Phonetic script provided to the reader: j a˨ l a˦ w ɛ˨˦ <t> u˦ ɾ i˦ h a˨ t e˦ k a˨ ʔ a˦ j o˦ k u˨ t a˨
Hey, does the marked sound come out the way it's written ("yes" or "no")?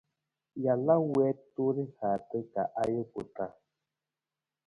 yes